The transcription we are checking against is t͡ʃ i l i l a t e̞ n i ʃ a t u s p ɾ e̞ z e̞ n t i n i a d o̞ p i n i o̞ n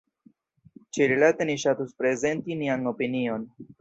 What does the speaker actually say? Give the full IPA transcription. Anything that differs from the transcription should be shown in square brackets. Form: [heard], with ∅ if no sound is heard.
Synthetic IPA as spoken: t͡ʃ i [ɾ] i l a t e̞ n i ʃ a t u s p ɾ e̞ z e̞ n t i n i a [n] o̞ p i n i o̞ n

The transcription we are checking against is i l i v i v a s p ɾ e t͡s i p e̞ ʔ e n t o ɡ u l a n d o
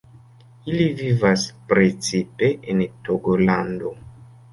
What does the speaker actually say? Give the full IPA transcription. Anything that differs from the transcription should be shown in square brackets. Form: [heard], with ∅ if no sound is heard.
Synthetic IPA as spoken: i l i v i v a s p ɾ e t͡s i p e̞ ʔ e n t o ɡ [o] l a n d o

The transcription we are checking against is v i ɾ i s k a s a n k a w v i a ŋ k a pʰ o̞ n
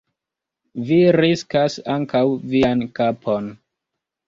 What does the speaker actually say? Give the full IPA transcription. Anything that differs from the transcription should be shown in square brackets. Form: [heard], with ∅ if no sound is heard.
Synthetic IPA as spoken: v i ɾ i s k a s a [ŋ] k a w v i a [n] k a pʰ o̞ n

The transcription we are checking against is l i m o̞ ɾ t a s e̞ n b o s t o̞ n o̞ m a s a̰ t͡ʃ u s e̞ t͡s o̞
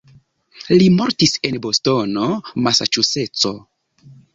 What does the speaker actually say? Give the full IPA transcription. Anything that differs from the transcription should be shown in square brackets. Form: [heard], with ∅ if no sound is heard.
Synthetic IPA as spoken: l i m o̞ ɾ t [i] s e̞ n b o s t o̞ n o̞ m a s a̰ t͡ʃ u s e̞ t͡s o̞

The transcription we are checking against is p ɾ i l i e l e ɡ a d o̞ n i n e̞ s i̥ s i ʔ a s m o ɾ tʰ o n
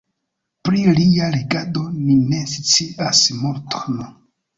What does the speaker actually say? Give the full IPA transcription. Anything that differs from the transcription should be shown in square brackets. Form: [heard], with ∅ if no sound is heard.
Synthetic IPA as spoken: p ɾ i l i [a] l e ɡ a d o̞ n i n e̞ s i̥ [t͡s] i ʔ a s m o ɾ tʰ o n

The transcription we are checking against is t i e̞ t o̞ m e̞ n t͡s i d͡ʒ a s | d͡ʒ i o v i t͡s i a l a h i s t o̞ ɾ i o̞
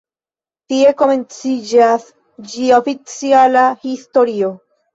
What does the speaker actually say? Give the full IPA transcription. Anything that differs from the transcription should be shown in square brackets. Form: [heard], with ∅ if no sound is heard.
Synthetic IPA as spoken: t i e̞ [k] o̞ m e̞ n t͡s i d͡ʒ a s | d͡ʒ i o [f] i t͡s i a l a h i s t o̞ ɾ i o̞

